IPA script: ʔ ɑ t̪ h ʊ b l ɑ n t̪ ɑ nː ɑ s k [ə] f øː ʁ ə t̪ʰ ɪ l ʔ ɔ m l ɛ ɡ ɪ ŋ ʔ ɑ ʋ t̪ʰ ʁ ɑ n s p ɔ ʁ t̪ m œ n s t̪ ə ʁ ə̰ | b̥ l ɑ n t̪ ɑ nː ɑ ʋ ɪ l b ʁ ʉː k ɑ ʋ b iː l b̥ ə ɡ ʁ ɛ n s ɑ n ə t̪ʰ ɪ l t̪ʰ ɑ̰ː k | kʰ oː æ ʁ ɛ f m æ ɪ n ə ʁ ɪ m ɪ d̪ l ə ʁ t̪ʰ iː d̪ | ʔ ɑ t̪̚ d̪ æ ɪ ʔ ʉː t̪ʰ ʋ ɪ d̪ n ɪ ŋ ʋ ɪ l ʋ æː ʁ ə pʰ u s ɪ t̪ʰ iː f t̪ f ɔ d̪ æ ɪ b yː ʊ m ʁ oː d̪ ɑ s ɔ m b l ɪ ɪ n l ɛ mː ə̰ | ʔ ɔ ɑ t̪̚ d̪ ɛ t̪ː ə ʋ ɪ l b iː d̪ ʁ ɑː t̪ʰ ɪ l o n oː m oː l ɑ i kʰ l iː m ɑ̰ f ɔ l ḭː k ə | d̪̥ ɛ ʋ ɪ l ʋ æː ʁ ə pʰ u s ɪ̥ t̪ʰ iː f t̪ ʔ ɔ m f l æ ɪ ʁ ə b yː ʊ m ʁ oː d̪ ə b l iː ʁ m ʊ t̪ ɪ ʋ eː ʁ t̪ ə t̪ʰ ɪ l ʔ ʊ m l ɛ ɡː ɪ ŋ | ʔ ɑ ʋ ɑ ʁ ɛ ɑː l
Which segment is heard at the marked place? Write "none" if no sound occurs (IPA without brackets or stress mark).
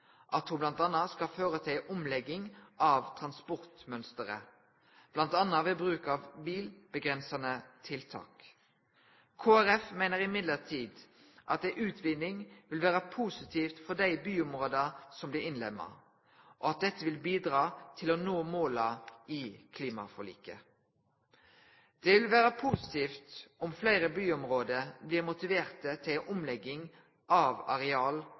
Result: ɑ